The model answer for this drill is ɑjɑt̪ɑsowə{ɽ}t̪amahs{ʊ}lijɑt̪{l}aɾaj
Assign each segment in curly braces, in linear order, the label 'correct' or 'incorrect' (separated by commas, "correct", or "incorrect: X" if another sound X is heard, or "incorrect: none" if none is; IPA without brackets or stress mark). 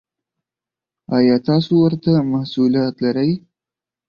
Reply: incorrect: ɾ, incorrect: u, correct